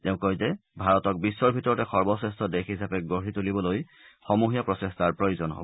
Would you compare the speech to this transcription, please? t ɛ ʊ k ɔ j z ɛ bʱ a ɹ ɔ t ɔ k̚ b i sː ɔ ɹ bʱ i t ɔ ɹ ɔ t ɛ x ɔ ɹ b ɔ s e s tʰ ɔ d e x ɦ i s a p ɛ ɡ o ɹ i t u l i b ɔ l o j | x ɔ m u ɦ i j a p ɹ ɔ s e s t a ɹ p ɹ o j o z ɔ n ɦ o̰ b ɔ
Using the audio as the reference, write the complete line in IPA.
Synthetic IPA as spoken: t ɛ ʊ̃ k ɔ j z ɛ bʱ a ɹ ɔ t ɔ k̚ b i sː ɔ ɹ bʱ i t ɔ ɹ ɔ t ɛ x ɔ ɹ b ɔ s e s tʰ ɔ d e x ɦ i s a p ɛ ɡ o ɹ i t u l i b ɔ l o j | x ɔ m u ɦ i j a p ɹ ɔ s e s t a ɹ p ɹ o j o z ɔ n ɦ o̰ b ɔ